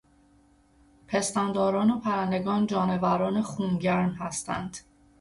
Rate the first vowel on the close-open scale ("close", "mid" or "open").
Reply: mid